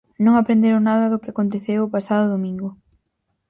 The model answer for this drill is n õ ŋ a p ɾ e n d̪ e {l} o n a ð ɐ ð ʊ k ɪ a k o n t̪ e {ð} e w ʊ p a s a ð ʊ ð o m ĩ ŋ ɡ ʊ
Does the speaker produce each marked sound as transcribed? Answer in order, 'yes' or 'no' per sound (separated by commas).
no, no